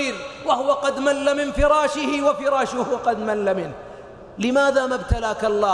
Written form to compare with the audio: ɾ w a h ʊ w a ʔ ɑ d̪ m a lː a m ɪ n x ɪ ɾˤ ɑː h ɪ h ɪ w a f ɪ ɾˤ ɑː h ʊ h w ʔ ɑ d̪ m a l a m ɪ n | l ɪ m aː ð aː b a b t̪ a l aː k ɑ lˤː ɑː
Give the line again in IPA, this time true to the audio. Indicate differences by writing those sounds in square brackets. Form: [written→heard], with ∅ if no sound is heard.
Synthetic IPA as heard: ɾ w a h ʊ w a [ʔ→q] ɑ d̪ m a lː a m ɪ n [x→f] ɪ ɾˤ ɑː [h→ʃ] ɪ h ɪ w a f ɪ ɾˤ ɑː [h→ʃ] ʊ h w [ʔ→q] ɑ d̪ m a [l→lː] a m ɪ n | l ɪ m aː ð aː [b→m] a b t̪ a l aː k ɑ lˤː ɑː